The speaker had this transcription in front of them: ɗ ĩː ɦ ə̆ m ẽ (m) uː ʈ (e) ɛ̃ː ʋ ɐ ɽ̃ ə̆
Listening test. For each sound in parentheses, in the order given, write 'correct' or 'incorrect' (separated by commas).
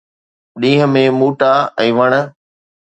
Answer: correct, incorrect